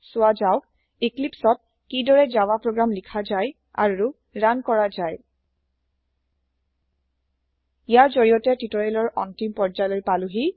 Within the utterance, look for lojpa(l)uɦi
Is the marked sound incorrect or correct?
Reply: correct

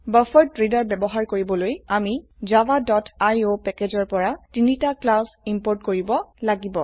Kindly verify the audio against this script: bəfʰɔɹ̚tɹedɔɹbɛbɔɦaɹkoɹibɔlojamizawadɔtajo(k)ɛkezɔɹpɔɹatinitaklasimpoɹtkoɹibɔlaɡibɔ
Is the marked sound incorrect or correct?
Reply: incorrect: p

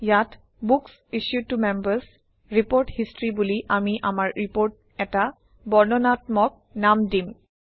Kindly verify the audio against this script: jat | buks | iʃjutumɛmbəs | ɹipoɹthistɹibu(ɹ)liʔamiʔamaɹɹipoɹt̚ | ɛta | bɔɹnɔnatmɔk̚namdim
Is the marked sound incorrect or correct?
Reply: incorrect: none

